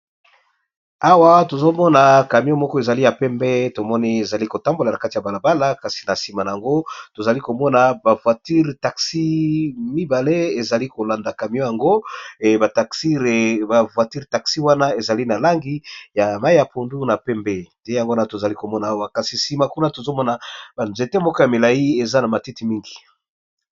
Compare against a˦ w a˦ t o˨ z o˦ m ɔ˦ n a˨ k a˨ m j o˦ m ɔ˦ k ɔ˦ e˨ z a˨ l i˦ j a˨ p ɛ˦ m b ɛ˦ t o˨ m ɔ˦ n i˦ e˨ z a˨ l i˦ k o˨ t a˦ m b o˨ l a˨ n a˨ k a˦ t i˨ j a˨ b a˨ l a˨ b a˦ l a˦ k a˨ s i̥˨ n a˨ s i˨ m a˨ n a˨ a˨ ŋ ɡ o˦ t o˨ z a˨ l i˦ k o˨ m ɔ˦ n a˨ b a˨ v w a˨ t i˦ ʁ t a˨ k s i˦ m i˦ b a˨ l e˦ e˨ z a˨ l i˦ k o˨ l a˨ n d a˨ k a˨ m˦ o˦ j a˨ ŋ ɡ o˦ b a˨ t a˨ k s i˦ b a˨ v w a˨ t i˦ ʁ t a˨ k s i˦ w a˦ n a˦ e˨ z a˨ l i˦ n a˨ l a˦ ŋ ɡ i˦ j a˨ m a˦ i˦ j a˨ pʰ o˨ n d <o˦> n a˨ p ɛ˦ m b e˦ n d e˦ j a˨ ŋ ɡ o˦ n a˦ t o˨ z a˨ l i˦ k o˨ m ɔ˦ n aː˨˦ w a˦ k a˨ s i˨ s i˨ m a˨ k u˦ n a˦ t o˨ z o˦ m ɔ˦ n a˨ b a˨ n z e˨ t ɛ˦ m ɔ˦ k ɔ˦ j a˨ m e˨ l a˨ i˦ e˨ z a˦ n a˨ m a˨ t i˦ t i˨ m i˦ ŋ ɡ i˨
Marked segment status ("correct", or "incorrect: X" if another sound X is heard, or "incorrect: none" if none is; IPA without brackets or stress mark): incorrect: u˦